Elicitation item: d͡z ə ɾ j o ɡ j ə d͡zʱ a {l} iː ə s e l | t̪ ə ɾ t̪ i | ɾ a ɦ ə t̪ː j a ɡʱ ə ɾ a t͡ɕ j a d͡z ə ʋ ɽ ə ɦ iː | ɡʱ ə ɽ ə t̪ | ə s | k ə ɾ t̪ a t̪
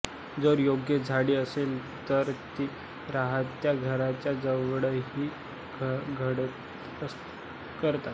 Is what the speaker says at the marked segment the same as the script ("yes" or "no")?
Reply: no